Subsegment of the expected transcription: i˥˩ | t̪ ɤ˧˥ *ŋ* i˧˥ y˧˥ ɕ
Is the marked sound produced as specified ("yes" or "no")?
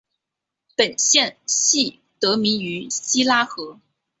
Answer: no